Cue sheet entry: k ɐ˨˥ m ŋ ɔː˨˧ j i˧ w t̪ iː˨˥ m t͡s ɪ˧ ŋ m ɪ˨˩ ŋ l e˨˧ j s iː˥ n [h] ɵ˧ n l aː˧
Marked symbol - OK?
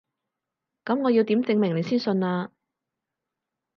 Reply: no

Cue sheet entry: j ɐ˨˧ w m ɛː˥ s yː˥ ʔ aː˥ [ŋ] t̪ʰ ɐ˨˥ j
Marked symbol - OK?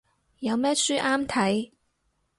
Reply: no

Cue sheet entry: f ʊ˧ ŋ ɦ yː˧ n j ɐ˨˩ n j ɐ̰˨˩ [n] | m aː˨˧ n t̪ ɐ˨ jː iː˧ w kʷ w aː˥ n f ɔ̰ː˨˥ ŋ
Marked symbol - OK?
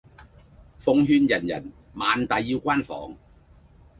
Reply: yes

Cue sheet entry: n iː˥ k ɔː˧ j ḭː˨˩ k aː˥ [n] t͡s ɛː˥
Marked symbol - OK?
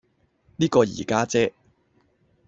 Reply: no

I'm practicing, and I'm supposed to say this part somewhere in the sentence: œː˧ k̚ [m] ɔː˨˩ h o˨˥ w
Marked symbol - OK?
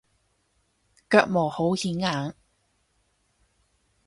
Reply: yes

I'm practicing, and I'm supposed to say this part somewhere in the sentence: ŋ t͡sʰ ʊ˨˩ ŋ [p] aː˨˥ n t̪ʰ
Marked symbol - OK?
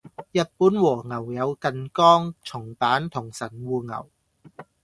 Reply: yes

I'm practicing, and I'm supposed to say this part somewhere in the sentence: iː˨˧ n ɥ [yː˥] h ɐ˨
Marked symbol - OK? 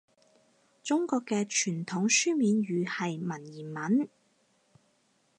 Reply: no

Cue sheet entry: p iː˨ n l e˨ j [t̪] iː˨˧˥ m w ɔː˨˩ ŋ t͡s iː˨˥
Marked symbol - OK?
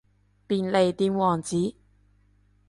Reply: yes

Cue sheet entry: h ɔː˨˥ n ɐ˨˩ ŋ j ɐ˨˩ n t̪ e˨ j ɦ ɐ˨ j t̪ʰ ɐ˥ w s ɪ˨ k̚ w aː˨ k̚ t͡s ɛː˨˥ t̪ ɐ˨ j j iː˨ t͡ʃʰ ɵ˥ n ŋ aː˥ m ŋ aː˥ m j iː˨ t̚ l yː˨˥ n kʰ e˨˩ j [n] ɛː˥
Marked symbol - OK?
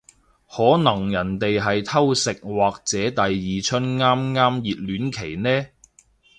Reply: yes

